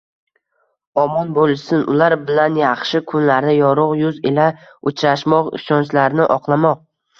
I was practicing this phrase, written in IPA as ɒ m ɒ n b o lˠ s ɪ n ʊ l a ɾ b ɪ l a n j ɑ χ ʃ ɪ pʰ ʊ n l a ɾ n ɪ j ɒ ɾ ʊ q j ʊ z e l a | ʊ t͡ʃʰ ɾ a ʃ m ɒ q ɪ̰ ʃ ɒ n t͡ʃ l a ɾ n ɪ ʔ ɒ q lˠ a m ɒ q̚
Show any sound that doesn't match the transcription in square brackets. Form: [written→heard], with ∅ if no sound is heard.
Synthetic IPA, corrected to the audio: ɒ m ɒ n b o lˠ s ɪ n ʊ l a ɾ b ɪ l a n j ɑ χ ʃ ɪ [pʰ→kʰ] ʊ n l a ɾ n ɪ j ɒ ɾ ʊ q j ʊ z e l a | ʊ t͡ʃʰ ɾ a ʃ m ɒ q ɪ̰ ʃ ɒ n t͡ʃ l a ɾ n ɪ ʔ ɒ q lˠ a m ɒ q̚